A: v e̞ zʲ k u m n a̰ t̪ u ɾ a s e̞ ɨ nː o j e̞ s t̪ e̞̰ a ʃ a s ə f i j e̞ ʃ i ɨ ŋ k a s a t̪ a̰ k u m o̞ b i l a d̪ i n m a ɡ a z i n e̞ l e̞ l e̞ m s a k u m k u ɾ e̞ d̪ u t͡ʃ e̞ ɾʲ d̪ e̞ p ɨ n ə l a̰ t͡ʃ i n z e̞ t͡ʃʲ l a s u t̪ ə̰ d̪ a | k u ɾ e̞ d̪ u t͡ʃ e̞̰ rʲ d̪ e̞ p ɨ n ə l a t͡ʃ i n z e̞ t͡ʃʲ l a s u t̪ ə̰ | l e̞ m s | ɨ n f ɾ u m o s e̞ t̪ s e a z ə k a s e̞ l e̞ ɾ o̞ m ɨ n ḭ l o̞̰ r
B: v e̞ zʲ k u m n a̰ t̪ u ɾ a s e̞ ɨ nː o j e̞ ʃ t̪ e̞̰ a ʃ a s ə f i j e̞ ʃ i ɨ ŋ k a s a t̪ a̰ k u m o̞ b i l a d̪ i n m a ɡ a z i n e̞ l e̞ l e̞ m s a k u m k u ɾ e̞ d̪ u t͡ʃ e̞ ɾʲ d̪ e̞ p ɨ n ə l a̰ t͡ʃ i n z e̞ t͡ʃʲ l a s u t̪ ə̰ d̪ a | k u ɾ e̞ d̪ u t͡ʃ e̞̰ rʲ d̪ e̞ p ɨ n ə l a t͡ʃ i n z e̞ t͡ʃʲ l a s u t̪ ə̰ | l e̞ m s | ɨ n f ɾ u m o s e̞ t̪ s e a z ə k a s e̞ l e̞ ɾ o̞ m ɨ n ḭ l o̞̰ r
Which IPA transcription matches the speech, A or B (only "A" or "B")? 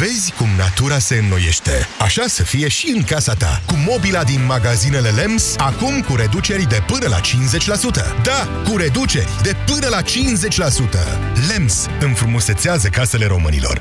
B